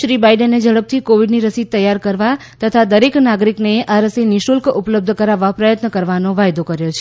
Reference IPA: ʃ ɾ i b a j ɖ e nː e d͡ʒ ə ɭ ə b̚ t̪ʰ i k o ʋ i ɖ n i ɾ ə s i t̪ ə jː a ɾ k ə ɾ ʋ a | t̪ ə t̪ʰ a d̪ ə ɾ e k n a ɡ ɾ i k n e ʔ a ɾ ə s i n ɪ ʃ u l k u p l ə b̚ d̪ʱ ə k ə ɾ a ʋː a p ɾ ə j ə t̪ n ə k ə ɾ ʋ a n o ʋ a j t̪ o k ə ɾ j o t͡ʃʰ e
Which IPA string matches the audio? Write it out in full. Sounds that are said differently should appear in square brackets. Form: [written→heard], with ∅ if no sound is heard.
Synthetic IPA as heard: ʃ ɾ i b a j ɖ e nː e d͡ʒ ə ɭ ə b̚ t̪ʰ i k o ʋ i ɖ n i ɾ ə s i t̪ ə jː a ɾ k ə ɾ ʋ a | t̪ ə t̪ʰ a d̪ ə ɾ e k n a ɡ ɾ i k n e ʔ a ɾ ə s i n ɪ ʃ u l k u p l ə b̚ d̪ʱ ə k ə ɾ a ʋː a p ɾ ə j ə t̪ n ə k ə ɾ ʋ a n o ʋ a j [t̪→d̪] o k ə ɾ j o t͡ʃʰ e